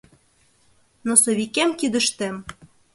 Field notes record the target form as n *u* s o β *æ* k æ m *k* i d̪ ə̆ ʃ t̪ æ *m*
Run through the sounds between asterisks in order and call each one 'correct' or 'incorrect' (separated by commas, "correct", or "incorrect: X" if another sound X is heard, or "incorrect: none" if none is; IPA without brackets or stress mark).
incorrect: o, incorrect: i, correct, correct